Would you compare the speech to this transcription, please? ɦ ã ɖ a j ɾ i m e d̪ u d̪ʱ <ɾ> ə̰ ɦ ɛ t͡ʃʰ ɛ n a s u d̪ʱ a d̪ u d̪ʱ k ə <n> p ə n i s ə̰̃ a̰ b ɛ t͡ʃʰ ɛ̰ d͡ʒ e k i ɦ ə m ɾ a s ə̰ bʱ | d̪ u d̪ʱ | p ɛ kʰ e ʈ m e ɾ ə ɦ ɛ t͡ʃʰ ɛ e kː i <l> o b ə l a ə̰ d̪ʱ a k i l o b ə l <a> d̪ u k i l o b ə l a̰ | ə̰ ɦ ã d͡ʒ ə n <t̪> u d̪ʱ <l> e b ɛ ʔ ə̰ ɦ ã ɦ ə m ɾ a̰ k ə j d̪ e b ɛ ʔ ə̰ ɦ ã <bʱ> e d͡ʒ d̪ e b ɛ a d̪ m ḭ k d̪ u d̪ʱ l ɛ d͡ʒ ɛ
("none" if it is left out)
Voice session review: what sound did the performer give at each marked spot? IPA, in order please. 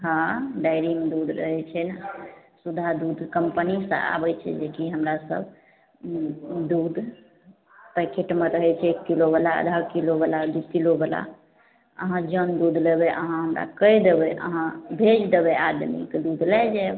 ɾ, m, l, a, d̪, l, bʱ

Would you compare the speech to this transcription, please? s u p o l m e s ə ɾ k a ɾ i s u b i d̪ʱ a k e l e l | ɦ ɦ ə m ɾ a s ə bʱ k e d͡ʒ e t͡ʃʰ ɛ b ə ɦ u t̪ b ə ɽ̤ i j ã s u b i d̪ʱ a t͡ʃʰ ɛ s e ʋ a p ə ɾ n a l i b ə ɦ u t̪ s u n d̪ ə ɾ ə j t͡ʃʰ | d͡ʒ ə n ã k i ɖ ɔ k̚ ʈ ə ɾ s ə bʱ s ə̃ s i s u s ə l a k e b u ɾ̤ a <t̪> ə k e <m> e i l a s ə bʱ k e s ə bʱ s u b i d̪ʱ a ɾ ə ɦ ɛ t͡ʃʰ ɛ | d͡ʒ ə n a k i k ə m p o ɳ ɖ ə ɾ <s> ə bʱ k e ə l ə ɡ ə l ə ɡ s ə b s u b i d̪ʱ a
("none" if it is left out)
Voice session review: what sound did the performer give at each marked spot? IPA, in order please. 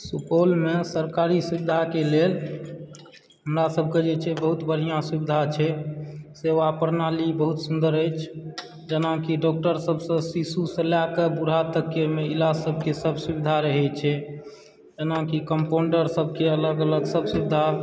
t̪, m, s

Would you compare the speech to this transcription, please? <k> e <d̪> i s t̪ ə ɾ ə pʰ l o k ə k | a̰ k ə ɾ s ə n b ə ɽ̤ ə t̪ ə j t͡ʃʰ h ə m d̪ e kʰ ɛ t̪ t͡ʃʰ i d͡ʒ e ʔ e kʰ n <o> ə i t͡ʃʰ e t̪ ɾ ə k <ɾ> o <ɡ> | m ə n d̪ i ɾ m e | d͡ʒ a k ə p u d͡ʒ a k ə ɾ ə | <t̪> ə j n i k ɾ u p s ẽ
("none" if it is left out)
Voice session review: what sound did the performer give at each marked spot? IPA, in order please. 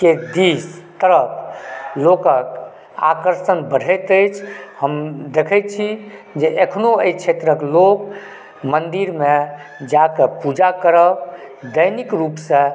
k, d̪, o, l, k, d̪

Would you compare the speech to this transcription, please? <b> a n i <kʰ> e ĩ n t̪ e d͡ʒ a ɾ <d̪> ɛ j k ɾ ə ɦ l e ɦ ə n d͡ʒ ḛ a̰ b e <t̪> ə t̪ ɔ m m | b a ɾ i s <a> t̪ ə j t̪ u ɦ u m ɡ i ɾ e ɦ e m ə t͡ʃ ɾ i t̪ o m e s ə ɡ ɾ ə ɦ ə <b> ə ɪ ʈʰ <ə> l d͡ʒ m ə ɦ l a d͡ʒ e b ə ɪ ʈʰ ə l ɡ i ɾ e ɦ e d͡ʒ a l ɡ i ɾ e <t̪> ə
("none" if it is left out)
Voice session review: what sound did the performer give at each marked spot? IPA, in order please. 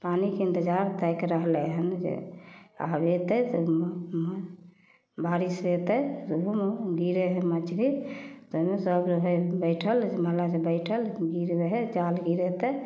p, k, t̪, t̪, e, b, ə, t̪

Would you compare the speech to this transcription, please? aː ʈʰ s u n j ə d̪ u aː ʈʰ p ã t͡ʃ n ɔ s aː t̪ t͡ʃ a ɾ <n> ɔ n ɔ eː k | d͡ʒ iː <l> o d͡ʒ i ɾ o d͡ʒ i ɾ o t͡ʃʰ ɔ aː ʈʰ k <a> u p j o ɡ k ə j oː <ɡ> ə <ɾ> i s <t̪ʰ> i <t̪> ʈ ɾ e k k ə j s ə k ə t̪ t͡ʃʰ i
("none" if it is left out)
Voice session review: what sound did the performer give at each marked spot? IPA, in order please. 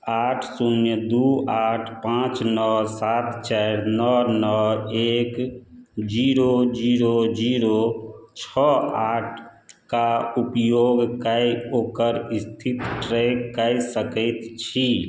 n, ɾ, a, k, ɾ, t̪ʰ, t̪

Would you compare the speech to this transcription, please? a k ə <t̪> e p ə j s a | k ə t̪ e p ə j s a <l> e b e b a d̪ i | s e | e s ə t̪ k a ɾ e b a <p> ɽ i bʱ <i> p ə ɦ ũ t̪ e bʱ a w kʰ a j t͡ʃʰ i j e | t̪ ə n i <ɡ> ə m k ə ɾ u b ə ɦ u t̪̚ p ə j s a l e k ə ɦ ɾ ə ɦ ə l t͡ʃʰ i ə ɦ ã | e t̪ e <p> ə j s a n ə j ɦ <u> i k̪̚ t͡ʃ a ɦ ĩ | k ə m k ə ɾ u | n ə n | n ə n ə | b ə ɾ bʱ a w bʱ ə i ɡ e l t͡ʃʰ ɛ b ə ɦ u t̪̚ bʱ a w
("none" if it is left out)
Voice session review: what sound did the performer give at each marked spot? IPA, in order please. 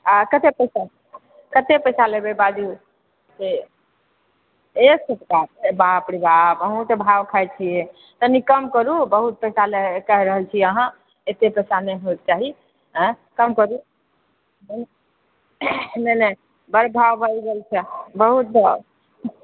t̪, l, p, a, k, p, o

